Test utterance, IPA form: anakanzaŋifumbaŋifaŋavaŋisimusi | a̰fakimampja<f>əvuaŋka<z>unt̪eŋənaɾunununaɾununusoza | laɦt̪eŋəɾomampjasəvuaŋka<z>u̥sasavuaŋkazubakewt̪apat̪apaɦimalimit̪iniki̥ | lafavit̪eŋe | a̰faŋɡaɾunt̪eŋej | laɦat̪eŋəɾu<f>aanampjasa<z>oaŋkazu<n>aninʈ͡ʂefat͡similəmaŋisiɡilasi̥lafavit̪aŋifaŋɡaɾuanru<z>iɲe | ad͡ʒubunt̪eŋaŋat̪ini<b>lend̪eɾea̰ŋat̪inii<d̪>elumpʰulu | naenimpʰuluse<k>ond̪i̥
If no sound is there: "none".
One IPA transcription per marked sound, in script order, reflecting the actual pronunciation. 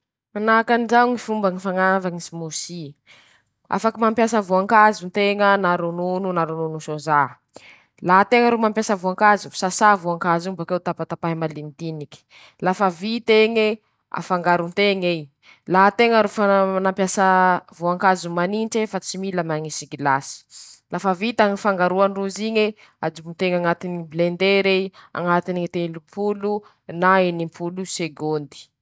s, z, z, f, v, m, z, b, t̪, ɡ

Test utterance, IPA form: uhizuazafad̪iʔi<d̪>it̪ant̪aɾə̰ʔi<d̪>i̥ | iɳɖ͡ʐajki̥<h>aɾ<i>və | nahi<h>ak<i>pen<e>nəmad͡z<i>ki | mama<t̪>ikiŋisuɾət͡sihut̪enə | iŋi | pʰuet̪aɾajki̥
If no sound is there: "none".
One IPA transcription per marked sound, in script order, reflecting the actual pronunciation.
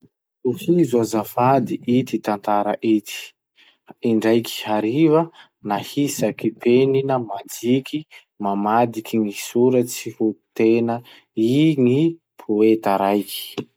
t̪, t̪, h, i, s, i, i, i, d̪

